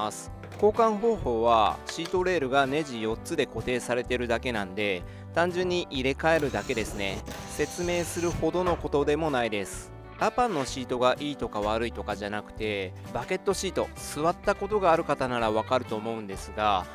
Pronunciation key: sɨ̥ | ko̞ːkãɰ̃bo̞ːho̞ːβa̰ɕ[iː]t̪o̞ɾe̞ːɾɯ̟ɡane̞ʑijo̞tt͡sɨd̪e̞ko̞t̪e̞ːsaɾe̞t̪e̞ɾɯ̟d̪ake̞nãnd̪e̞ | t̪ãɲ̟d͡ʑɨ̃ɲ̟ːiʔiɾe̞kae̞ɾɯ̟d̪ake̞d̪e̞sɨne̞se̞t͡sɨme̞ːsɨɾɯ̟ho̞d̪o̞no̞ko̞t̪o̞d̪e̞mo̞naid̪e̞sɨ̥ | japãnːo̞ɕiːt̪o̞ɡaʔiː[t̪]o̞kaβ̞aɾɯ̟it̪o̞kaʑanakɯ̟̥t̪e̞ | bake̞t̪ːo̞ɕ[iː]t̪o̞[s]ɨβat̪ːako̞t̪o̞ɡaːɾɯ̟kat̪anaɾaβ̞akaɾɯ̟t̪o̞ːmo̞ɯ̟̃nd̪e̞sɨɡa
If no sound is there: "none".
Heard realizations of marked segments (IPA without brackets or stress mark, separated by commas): iː, t̪, iː, s